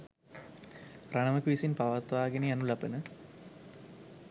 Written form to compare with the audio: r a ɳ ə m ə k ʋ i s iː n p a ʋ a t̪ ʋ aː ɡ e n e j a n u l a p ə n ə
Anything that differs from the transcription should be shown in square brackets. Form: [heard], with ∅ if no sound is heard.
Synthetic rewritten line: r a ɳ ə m ə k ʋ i s [i] n p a ʋ a t̪ ʋ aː ɡ e n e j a n u l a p ə n ə